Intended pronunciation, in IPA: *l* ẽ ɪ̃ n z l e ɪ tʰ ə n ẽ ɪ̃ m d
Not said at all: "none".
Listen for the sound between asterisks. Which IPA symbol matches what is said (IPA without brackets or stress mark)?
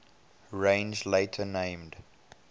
ɹ